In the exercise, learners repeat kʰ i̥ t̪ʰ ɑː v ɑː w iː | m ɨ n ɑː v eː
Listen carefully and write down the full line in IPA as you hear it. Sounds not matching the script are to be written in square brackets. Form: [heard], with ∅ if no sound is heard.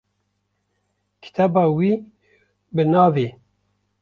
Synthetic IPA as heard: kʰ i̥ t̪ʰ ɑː [b] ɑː w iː | [b] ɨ n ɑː v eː